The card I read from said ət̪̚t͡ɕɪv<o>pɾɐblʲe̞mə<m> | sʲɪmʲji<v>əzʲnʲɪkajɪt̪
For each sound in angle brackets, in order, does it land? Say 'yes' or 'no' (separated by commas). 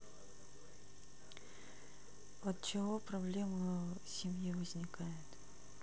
yes, no, yes